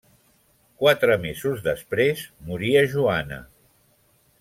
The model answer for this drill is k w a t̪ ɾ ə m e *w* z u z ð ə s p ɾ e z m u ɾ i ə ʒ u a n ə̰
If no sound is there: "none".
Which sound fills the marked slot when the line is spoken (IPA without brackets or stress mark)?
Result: none